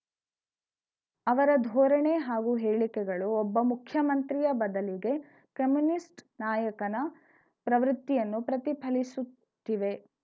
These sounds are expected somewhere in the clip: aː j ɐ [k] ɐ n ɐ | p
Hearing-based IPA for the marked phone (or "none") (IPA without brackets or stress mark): k